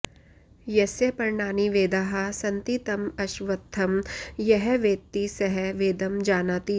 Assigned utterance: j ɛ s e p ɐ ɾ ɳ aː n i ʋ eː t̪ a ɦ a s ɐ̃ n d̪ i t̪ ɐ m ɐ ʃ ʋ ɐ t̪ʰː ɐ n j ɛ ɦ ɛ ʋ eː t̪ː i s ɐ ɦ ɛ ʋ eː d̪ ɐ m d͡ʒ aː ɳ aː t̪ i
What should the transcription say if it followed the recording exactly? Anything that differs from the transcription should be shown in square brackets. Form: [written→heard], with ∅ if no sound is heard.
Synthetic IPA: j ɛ s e p ɐ ɾ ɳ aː n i ʋ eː [t̪→d̪] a ɦ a s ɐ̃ n [d̪→t̪] i t̪ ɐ m ɐ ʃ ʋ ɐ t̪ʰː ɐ [n→m] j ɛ ɦ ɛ ʋ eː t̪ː i s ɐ ɦ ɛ ʋ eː d̪ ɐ m d͡ʒ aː [ɳ→n] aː t̪ i